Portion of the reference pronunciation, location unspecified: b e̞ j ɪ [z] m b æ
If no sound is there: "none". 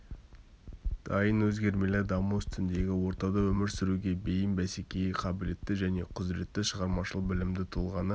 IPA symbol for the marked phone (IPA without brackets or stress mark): none